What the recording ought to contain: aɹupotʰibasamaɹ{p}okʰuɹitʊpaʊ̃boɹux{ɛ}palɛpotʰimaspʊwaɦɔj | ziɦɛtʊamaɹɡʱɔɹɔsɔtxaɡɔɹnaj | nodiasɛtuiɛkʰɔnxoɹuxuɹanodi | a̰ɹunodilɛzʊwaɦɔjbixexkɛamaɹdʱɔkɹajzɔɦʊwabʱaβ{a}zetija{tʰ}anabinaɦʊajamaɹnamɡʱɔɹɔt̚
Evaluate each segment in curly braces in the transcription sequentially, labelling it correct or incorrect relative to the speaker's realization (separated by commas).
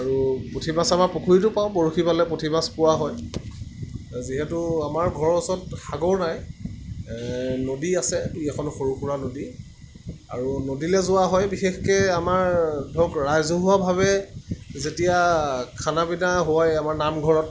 correct, incorrect, incorrect, incorrect